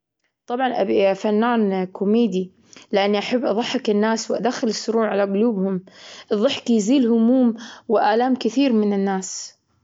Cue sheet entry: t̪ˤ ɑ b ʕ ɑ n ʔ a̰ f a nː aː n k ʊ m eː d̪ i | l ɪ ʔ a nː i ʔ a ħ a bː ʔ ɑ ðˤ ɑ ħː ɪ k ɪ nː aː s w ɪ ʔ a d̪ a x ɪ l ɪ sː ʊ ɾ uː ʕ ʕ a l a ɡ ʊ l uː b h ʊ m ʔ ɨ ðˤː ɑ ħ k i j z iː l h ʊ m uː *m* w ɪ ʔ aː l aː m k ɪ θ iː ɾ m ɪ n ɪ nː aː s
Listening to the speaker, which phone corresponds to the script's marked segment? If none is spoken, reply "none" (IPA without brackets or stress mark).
m